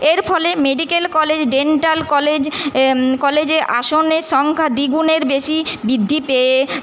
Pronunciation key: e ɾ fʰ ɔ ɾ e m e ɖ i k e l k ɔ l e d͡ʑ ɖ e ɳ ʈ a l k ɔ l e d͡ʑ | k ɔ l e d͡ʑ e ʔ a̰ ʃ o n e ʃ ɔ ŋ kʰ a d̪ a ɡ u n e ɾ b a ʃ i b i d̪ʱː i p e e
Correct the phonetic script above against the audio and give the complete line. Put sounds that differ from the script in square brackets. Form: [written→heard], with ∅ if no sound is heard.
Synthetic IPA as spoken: e ɾ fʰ ɔ [ɾ→l] e m e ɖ i k e l k ɔ l e d͡ʑ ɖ e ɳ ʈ a l k ɔ l e d͡ʑ | k ɔ l e d͡ʑ e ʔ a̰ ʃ o n e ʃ ɔ ŋ kʰ a d̪ [a→i] ɡ u n e ɾ b [a→e] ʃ i b i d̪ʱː i p e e